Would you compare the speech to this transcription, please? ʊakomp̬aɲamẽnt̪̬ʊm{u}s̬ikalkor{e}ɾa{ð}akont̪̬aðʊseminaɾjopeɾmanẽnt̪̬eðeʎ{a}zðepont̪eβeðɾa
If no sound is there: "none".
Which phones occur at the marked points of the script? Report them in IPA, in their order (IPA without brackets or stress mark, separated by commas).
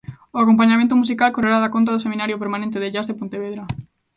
u, e, ð, a